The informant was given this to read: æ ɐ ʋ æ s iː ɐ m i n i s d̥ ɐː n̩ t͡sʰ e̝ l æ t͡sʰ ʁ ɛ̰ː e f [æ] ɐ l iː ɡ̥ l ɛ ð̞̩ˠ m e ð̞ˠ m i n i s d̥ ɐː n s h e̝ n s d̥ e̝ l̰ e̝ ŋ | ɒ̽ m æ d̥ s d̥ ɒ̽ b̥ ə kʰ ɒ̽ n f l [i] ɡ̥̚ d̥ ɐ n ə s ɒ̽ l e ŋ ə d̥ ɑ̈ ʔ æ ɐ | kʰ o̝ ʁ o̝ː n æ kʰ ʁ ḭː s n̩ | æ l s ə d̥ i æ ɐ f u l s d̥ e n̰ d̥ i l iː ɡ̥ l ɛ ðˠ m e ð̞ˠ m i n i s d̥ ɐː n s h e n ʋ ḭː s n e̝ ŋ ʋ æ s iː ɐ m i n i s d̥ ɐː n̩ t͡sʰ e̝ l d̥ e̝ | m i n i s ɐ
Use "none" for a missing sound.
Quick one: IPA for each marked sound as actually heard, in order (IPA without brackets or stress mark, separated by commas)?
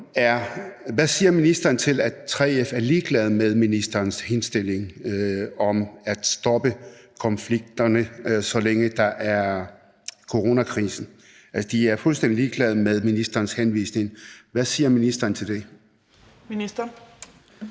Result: æ, i